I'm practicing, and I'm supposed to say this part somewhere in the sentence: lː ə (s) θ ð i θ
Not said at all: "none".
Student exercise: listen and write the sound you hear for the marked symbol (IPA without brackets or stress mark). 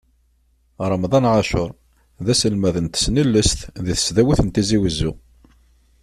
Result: s